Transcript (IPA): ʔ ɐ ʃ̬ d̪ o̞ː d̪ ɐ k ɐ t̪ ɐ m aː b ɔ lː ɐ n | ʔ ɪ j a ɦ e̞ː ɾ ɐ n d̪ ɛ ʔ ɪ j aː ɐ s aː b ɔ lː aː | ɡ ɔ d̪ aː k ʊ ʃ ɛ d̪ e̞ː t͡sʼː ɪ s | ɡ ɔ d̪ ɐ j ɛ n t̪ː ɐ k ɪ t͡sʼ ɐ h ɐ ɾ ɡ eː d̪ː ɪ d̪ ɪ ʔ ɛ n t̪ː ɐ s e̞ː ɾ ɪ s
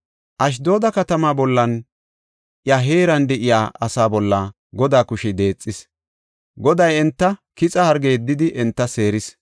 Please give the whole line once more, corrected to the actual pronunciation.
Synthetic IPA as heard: ʔ ɐ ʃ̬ d̪ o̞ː d̪ ɐ k ɐ t̪ ɐ m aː b ɔ lː ɐ n | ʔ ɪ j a ɦ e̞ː ɾ ɐ n d̪ ɛ ʔ ɪ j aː ɐ s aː b ɔ lː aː | ɡ ɔ d̪ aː k ʊ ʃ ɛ d̪ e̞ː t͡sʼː ɪ s | ɡ ɔ d̪ ɐ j ɛ n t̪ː ɐ k ɪ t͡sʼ ɐ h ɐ ɾ ɡ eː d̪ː ɪ d̪ ɪ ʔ ɛ n t̪ː ɐ s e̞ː ɾ ɪ s